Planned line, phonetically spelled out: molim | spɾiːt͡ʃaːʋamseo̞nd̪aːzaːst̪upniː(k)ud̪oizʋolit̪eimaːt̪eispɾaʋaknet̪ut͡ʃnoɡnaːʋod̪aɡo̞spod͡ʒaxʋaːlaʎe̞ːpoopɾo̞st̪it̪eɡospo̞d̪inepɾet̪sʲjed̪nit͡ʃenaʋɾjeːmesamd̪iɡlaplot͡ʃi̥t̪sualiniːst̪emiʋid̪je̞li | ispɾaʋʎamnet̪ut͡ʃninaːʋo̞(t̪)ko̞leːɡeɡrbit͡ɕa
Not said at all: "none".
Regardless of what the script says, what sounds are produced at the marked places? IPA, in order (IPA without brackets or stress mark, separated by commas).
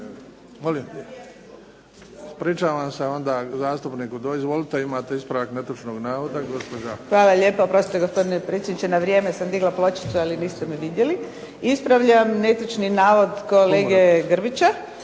k, d̪